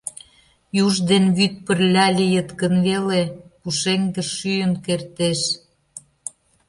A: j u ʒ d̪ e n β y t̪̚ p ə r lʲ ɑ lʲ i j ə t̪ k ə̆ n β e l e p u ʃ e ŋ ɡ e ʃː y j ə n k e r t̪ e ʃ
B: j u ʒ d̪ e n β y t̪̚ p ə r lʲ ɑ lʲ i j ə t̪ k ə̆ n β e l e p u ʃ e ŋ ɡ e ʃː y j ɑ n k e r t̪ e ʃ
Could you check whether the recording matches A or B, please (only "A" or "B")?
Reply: A